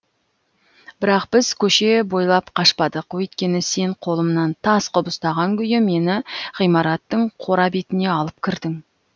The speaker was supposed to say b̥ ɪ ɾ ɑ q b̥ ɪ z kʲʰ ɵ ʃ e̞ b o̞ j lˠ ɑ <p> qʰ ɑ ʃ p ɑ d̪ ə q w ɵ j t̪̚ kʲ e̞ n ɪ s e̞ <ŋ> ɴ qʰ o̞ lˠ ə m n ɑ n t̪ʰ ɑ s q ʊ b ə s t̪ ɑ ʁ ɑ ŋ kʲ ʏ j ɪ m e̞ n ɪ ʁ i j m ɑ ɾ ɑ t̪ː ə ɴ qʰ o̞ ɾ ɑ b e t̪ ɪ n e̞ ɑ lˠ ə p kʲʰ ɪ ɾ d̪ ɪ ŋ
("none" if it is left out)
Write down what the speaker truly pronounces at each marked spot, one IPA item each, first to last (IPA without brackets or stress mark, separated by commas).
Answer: p, none